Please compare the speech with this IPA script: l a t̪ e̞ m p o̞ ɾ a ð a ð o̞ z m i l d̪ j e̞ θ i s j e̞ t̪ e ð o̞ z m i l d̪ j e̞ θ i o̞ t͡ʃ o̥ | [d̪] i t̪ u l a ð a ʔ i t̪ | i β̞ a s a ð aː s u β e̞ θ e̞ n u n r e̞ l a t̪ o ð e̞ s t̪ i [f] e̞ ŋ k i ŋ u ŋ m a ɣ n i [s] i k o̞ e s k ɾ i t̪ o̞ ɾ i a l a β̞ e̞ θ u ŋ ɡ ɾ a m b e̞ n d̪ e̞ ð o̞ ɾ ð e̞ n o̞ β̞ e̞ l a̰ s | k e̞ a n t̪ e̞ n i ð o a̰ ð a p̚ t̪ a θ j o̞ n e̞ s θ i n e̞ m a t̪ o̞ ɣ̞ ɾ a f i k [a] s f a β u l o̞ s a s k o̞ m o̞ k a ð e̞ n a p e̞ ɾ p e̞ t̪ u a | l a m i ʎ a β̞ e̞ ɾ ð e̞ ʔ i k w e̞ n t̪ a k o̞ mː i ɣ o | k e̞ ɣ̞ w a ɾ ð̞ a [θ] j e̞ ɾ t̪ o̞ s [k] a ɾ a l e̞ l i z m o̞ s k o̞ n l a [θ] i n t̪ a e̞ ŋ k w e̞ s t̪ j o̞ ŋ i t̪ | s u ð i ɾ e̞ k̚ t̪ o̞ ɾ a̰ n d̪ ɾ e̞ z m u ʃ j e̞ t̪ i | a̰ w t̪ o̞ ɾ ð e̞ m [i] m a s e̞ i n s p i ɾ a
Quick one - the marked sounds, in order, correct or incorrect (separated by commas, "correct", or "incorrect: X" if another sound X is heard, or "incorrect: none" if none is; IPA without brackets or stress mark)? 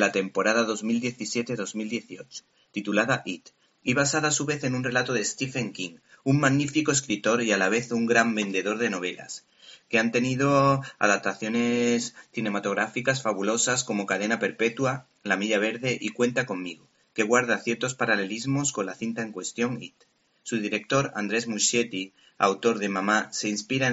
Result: incorrect: t̪, correct, incorrect: f, correct, correct, incorrect: p, correct, incorrect: a